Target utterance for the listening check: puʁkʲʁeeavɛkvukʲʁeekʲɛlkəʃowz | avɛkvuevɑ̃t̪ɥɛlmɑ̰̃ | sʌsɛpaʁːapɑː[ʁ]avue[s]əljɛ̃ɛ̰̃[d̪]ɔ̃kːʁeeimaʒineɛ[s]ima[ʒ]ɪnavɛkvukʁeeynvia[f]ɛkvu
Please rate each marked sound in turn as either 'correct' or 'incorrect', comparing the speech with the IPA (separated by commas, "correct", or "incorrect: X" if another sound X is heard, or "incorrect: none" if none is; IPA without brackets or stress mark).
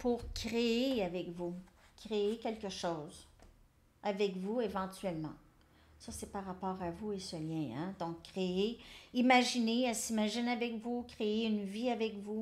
correct, correct, correct, correct, correct, incorrect: v